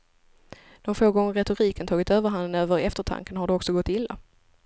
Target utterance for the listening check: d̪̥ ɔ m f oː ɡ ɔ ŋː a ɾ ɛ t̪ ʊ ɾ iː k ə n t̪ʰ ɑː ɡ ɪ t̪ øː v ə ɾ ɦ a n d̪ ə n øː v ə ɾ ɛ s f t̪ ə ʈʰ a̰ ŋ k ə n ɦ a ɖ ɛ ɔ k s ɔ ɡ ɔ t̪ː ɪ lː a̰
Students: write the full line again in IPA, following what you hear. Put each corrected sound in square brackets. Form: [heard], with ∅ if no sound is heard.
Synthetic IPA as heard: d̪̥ ɔ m f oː ɡ ɔ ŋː [ə] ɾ ɛ t̪ ʊ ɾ iː k ə n t̪ʰ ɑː ɡ ɪ t̪ øː v ə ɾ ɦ a n d̪ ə n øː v ə ɾ ɛ [∅] f t̪ ə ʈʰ a̰ ŋ k ə n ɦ a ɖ ɛ ɔ k s ɔ ɡ ɔ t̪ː ɪ lː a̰